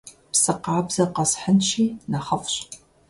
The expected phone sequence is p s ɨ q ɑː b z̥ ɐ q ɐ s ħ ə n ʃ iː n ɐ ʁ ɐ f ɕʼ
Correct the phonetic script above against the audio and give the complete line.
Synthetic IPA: p s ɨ q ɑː b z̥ ɐ q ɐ s ħ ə n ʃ iː n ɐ χ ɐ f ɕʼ